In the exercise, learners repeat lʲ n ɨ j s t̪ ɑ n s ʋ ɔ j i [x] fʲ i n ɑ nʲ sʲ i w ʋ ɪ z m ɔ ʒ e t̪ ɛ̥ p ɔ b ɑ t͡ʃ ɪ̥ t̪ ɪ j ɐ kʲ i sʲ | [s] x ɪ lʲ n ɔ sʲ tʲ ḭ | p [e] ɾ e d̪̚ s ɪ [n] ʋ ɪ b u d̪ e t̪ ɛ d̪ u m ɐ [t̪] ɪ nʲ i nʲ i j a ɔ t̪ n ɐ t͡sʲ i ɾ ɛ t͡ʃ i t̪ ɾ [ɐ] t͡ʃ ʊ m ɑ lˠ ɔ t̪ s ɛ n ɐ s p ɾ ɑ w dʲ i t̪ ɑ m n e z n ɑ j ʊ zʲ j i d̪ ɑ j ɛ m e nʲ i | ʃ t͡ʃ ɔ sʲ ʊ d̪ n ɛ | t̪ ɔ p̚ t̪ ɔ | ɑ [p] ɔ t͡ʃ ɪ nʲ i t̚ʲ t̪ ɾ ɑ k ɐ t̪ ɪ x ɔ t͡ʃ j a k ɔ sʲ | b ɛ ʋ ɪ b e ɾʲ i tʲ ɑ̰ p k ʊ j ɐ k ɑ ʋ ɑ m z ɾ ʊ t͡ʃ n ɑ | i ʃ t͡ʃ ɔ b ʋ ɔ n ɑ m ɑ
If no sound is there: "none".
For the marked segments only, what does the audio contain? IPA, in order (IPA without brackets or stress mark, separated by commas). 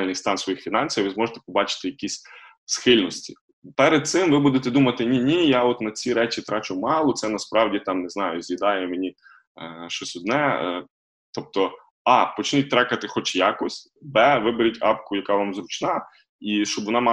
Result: x, s, ɛ, m, t̪, ɑ, p